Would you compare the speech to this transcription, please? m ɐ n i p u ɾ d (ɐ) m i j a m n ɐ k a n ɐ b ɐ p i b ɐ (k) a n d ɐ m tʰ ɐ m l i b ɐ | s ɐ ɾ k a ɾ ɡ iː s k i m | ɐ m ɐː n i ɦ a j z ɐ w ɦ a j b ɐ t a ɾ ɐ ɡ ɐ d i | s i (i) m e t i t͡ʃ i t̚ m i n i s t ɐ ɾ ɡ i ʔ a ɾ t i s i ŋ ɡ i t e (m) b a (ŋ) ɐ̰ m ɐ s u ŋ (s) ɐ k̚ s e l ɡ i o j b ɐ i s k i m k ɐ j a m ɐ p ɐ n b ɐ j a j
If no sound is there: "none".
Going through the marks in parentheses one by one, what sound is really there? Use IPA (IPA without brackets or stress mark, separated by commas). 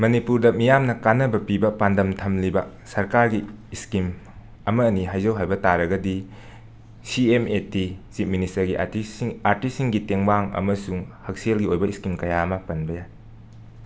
ɐ, p, e, ŋ, ŋ, h